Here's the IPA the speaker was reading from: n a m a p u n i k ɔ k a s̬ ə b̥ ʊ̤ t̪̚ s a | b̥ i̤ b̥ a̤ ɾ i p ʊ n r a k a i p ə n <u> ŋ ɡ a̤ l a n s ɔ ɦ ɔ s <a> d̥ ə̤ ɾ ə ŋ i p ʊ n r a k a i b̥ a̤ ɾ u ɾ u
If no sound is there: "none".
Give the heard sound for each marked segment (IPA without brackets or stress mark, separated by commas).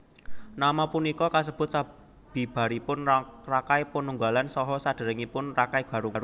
u, a